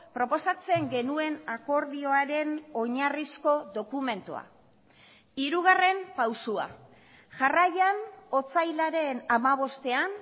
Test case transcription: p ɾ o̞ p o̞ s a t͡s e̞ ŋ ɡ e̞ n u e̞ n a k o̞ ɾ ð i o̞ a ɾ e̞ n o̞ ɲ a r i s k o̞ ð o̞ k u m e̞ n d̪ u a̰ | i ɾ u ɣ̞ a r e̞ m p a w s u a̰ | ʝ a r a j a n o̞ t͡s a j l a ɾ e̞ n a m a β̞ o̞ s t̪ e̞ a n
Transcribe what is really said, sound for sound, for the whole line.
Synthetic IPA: p ɾ o̞ p o̞ s a t͡s e̞ ŋ ɡ e̞ n u e̞ n a k o̞ ɾ ð i o̞ a ɾ e̞ n o̞ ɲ a r i s k o̞ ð o̞ k u m e̞ n t̪ u a̰ | i ɾ u ɣ̞ a r e̞ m p a w s u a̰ | ʝ a r a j a n o̞ t͡s a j l a ɾ e̞ n a m a β̞ o̞ s t̪ e̞ a n